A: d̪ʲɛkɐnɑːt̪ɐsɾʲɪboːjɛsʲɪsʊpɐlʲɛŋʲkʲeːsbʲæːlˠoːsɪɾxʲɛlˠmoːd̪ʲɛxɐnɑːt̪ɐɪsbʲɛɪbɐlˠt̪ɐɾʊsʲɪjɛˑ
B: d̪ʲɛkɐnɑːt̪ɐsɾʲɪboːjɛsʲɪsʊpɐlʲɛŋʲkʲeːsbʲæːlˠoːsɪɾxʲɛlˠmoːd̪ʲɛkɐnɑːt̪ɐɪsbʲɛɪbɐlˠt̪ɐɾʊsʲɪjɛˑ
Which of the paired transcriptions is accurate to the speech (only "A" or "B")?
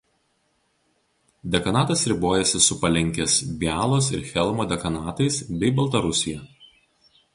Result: B